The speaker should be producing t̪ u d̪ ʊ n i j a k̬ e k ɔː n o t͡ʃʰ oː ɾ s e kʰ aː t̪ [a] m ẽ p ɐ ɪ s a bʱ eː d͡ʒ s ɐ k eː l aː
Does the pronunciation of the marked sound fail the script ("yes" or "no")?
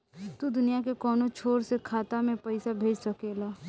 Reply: no